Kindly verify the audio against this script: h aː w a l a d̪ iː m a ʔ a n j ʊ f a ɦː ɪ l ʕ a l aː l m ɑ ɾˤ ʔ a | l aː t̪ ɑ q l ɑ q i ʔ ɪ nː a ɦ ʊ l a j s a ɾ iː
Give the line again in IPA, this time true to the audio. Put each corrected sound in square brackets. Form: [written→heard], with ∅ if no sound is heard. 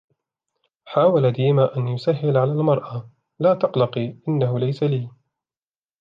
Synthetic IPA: [h→ħ] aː w a l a d̪ iː m a ʔ a n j ʊ [f→s] a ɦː ɪ l ʕ a l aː l m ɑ ɾˤ ʔ a | l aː t̪ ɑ q l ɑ q i ʔ ɪ nː a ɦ ʊ l a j s a [ɾ→l] iː